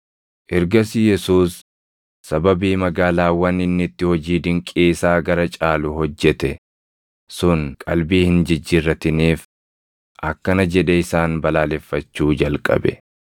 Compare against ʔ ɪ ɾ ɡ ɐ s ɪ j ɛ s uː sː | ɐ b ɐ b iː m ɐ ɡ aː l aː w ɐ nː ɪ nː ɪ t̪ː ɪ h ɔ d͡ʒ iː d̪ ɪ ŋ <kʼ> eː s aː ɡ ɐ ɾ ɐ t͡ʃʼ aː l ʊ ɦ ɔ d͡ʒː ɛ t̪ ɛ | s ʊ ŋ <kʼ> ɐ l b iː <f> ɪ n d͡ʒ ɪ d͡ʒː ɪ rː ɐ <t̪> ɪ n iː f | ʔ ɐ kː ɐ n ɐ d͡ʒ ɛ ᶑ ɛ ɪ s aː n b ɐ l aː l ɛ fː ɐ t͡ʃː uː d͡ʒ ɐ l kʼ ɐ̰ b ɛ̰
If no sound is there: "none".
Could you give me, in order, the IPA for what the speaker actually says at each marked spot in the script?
kʼ, kʼ, h, t̪

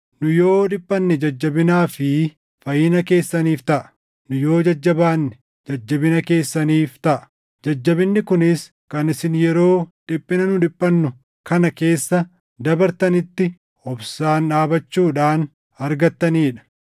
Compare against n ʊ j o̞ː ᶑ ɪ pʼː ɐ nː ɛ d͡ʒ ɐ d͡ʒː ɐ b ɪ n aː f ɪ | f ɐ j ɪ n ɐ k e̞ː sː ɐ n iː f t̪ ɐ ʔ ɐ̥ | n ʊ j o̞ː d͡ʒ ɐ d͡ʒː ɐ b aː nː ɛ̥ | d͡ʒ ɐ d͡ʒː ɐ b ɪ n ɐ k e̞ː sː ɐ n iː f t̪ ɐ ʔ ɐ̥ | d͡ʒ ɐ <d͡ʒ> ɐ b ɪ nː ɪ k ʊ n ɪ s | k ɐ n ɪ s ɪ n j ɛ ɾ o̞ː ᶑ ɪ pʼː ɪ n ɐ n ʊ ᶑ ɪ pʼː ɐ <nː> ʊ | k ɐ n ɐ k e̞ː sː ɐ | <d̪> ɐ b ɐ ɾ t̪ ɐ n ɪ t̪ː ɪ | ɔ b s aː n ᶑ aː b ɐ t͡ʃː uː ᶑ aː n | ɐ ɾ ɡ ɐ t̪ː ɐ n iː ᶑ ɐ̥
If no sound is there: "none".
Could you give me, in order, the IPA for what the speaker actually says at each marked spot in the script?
d͡ʒː, nː, d̪

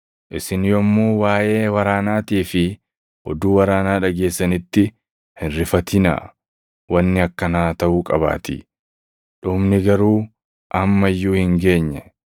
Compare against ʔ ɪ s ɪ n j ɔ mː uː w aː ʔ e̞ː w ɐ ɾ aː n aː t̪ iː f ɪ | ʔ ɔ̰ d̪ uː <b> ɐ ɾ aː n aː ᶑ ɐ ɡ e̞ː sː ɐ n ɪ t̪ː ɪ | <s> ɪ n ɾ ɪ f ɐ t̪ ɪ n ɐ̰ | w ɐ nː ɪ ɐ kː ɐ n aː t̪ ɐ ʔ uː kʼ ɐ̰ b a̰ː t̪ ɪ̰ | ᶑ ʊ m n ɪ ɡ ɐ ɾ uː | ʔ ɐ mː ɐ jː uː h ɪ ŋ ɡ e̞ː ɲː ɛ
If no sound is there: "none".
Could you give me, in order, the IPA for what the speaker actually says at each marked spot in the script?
w, h

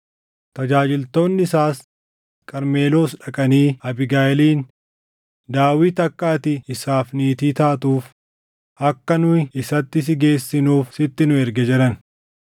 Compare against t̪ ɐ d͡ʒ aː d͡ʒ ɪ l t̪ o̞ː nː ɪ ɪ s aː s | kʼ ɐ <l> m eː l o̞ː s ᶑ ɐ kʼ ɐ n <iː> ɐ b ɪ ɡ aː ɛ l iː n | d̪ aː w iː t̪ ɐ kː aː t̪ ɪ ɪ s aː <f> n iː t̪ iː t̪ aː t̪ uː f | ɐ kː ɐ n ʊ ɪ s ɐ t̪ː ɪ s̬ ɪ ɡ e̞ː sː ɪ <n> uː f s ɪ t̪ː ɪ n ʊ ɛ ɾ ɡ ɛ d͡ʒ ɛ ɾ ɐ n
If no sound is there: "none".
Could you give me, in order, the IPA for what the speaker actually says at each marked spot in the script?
ɾ, iː, f, n

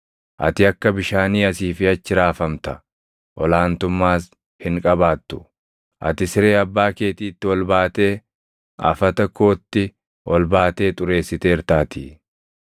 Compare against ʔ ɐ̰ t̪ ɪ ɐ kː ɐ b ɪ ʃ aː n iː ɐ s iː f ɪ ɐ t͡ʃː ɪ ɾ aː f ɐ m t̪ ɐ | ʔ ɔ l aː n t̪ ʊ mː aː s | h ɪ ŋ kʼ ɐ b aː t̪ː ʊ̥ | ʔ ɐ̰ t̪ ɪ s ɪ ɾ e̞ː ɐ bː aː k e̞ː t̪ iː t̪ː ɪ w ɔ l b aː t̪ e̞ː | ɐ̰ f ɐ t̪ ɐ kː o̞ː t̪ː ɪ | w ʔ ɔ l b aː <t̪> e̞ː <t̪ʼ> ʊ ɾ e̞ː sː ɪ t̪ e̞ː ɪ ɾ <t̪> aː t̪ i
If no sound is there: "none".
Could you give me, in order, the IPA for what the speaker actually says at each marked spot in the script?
t̪, t̪ʼ, t̪

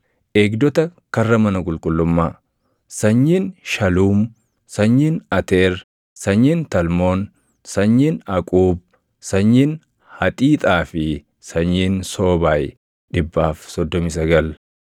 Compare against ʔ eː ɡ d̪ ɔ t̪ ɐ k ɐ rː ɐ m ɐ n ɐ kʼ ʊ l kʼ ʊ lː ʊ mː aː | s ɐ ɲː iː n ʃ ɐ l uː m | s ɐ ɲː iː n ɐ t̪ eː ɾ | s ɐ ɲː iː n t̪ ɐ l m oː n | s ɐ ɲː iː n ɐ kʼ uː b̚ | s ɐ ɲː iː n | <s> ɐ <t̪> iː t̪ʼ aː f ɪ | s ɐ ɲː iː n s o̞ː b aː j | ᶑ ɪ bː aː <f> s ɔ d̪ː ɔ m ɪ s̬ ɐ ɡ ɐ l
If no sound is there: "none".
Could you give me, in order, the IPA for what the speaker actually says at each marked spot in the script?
h, t̪ʼ, f

